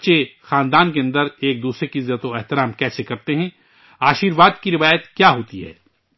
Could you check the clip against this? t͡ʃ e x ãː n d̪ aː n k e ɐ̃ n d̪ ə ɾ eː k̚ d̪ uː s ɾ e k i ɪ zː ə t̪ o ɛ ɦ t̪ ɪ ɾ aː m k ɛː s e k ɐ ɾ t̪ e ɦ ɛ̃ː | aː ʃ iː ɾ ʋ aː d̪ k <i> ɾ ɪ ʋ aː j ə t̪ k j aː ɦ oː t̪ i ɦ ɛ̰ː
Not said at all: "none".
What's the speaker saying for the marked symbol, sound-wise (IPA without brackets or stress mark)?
i